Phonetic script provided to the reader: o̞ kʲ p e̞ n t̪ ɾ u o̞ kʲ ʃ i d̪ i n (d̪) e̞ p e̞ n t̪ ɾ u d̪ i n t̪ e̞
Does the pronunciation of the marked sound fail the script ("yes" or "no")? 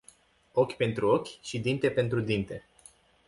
yes